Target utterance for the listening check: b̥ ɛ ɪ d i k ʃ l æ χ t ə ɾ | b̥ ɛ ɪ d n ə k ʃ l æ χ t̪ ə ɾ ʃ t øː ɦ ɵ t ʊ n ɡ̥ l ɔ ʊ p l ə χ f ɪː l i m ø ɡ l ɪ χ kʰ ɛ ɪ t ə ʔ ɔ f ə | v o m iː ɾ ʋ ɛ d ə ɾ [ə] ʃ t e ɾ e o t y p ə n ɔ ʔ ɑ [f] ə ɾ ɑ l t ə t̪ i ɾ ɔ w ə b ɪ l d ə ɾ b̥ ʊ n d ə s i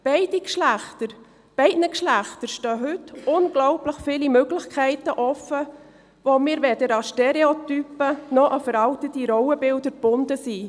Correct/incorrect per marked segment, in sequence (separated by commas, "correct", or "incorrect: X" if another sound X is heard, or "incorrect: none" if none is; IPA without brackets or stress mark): incorrect: ɑ, correct